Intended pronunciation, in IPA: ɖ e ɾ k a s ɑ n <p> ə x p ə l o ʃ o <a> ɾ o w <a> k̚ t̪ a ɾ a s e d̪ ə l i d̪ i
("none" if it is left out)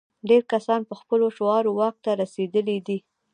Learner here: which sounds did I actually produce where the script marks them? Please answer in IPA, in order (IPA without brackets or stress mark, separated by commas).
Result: p, ɑ, ɑ